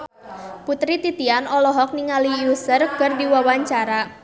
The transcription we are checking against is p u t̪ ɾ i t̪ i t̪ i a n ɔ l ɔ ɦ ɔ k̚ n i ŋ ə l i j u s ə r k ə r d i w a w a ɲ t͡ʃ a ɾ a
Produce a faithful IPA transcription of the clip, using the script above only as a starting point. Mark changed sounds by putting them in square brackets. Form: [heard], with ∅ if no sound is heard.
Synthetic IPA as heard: p u t̪ ɾ i t̪ i t̪ i a n ɔ l ɔ ɦ ɔ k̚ n i ŋ [a] l i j u s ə r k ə r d i w a w a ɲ t͡ʃ a ɾ a